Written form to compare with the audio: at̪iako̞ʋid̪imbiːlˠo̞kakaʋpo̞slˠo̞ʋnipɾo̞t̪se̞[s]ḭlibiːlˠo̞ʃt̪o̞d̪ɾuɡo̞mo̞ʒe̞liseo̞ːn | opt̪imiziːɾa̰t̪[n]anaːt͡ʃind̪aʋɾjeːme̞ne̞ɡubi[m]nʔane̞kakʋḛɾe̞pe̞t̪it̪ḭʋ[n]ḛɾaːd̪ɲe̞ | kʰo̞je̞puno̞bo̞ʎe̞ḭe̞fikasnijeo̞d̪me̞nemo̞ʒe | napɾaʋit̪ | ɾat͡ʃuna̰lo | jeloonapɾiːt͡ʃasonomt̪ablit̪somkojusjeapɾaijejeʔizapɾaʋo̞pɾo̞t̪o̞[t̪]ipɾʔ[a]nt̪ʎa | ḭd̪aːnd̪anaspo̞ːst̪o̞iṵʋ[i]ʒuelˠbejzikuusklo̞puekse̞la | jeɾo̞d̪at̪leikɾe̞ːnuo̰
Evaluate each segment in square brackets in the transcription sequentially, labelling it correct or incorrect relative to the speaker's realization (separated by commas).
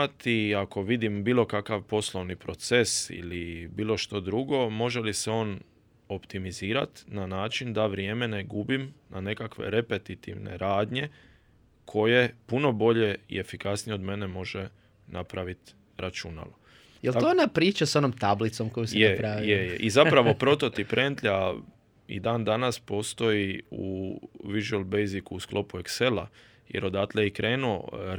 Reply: correct, correct, correct, correct, correct, incorrect, correct